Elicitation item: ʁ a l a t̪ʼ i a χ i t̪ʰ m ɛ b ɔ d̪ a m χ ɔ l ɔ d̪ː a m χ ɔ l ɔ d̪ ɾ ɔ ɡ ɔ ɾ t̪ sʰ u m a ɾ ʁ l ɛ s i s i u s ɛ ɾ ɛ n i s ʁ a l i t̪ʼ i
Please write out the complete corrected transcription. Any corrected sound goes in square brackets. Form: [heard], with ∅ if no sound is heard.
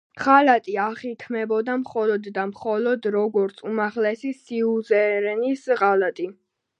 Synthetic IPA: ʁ a l a t̪ʼ i a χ i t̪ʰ m ɛ b ɔ d̪ a m χ ɔ l ɔ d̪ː a m χ ɔ l ɔ d̪ ɾ ɔ ɡ ɔ ɾ t̪ sʰ u m a [∅] ʁ l ɛ s i s i u [z] ɛ ɾ ɛ n i s ʁ a l [a] t̪ʼ i

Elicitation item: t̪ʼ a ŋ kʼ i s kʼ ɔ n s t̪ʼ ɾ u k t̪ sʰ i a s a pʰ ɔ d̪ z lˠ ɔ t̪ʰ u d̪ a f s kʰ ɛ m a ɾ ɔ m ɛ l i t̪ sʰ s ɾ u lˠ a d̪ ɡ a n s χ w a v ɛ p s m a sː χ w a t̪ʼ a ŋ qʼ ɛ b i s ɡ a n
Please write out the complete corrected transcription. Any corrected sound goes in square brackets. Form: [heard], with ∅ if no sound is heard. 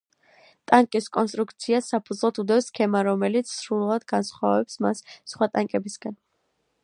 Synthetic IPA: t̪ʼ a ŋ kʼ i s kʼ ɔ n s t̪ʼ ɾ u k t̪ sʰ i a s a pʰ [u] d̪ z lˠ ɔ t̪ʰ u d̪ [ɛ] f s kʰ ɛ m a ɾ ɔ m ɛ l i t̪ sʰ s ɾ u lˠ a d̪ ɡ a n s χ w a v ɛ p s m a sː χ w a t̪ʼ a ŋ [kʼ] ɛ b i s ɡ a n

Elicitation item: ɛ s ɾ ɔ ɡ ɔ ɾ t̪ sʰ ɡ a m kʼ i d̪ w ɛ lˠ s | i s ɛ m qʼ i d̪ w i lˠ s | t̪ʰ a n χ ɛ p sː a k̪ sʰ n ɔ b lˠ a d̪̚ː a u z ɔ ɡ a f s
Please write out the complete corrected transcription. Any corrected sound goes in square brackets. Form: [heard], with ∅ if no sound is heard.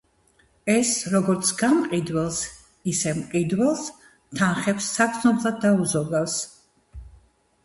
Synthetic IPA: ɛ s ɾ ɔ ɡ ɔ ɾ t̪ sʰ ɡ a m [qʼ] i d̪ w ɛ lˠ s | i s ɛ m qʼ i d̪ w [ɛ] lˠ s | t̪ʰ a n χ ɛ p sː a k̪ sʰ n ɔ b lˠ a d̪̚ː a u z ɔ ɡ a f s

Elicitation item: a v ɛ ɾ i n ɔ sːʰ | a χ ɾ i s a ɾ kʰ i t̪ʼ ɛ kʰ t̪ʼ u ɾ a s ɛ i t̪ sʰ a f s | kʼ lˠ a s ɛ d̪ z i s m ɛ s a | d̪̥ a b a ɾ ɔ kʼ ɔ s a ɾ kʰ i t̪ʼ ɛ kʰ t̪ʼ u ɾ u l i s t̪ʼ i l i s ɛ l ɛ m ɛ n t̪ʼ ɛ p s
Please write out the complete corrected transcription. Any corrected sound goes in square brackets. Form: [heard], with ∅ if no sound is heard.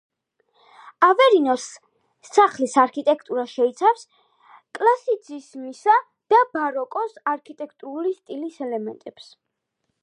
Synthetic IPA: a v ɛ ɾ i n ɔ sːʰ | a χ [l] i s a ɾ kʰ i t̪ʼ ɛ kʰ t̪ʼ u ɾ a [ʃ] ɛ i t̪ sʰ a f s | kʼ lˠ a s [i] d̪ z i s m [i] s a | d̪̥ a b a ɾ ɔ kʼ ɔ s a ɾ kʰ i t̪ʼ ɛ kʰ t̪ʼ u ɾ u l i s t̪ʼ i l i s ɛ l ɛ m ɛ n t̪ʼ ɛ p s

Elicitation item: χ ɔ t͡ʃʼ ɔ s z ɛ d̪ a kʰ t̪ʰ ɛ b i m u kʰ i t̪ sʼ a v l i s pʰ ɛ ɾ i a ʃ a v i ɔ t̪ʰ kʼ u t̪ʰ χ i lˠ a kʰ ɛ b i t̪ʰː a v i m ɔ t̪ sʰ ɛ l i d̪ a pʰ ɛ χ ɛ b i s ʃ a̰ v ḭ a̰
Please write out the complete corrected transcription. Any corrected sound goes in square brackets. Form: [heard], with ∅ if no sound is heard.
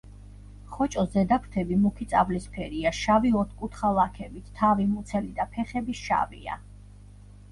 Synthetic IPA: χ ɔ t͡ʃʼ ɔ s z ɛ d̪ a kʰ t̪ʰ ɛ b i m u kʰ i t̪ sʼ a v l i s pʰ ɛ ɾ i a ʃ a v i ɔ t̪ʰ kʼ u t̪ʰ χ [a] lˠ a kʰ ɛ b i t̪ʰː a v i m [u] t̪ sʰ ɛ l i d̪ a pʰ ɛ χ ɛ b i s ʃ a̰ v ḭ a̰

